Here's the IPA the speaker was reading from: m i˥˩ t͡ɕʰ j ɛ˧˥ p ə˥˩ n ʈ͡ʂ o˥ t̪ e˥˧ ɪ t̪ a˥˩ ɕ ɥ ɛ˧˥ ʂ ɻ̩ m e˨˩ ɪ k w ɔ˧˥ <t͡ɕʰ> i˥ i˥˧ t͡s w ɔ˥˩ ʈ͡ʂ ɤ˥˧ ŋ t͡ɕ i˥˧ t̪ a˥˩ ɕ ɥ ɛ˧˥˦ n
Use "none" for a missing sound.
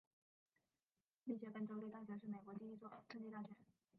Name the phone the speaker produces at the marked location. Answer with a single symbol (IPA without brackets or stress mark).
t͡ɕ